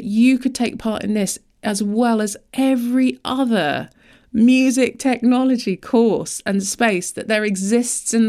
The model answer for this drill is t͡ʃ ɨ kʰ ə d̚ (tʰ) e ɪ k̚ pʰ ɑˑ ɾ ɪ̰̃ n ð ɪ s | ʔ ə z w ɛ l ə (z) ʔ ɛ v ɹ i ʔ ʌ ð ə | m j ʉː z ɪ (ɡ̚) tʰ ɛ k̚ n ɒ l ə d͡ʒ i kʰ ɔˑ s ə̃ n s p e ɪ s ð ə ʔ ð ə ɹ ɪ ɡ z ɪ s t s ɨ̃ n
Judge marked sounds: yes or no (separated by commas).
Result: yes, yes, no